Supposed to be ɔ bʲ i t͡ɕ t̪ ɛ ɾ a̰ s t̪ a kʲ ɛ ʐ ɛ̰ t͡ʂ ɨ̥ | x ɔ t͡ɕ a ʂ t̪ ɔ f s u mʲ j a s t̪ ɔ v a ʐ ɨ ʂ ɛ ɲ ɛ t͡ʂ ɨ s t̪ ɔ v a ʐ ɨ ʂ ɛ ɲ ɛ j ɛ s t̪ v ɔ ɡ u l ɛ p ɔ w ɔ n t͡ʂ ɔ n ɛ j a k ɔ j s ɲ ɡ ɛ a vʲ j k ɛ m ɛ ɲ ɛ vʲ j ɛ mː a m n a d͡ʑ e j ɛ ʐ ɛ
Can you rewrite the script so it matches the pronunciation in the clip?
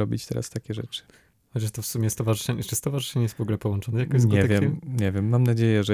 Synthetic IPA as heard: ɔ bʲ i t͡ɕ t̪ ɛ ɾ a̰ s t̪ a kʲ ɛ ʐ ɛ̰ t͡ʂ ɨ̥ | x ɔ t͡ɕ a ʂ t̪ ɔ f s u mʲ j ɛ s t̪ ɔ v a ʐ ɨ ʂ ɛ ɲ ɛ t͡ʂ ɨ s t̪ ɔ v a ʐ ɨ ʂ ɛ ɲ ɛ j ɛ s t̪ v ɔ ɡ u l ɛ p ɔ w ɔ n t͡ʂ ɔ n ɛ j a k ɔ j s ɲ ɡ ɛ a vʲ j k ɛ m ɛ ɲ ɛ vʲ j ɛ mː a m n a d͡ʑ e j ɛ ʐ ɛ